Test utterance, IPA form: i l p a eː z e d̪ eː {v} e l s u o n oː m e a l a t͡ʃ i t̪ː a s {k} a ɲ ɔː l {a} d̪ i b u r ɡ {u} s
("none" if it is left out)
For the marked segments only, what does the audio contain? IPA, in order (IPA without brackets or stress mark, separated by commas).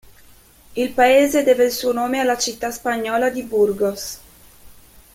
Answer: v, p, a, o